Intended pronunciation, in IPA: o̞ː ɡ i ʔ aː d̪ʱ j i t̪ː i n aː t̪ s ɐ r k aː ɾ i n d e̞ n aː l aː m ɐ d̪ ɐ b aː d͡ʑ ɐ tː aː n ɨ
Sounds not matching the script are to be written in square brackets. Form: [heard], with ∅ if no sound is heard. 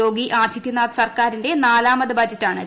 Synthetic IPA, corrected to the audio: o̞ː ɡ i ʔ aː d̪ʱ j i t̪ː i n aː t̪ s ɐ r k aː ɾ i n d e̞ n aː l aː m ɐ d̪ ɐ b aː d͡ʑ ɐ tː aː [ɳ] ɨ